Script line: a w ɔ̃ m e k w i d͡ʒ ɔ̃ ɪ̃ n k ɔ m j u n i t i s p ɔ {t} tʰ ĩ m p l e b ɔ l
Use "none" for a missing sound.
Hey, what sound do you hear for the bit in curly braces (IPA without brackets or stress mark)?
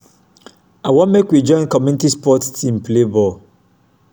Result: t